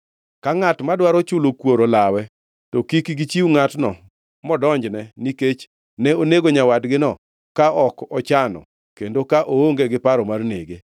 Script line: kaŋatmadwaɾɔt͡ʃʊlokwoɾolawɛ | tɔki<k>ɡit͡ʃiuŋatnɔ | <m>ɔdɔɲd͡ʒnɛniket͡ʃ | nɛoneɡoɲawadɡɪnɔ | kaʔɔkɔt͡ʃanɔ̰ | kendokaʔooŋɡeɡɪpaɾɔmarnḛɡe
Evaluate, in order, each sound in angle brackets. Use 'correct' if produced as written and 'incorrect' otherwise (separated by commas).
correct, correct